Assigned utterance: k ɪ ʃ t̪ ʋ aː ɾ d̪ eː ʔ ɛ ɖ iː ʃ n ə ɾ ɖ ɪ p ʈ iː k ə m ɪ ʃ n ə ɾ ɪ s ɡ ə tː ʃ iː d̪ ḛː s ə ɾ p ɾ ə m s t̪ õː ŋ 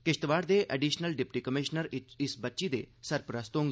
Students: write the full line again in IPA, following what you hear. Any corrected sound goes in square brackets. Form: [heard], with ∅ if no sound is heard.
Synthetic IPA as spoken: k ɪ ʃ t̪ ʋ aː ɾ d̪ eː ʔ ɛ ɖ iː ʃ n ə [l] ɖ ɪ p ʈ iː k ə m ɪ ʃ n ə ɾ ɪ s [b] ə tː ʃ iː d̪ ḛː s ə ɾ p ɾ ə [∅] s t̪ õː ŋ